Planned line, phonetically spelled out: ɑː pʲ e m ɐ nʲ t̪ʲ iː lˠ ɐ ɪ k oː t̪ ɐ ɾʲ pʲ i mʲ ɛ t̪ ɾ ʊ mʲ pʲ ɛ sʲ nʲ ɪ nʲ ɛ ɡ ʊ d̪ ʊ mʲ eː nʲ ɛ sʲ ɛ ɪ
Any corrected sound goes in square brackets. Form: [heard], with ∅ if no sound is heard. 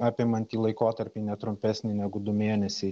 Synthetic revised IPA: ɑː pʲ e m ɐ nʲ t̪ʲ iː lˠ ɐ ɪ k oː t̪ ɐ ɾʲ pʲ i [nʲ] ɛ t̪ ɾ ʊ mʲ pʲ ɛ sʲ nʲ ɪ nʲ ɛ ɡ ʊ d̪ ʊ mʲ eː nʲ ɛ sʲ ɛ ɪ